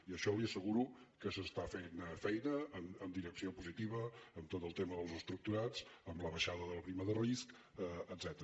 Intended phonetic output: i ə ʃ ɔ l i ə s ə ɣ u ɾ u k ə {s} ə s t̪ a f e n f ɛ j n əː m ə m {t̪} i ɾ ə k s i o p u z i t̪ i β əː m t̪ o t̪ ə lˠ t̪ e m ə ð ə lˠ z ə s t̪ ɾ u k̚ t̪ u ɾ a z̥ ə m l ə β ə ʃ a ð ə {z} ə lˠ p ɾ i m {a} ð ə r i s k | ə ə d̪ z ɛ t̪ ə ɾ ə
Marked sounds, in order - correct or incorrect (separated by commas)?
correct, incorrect, incorrect, incorrect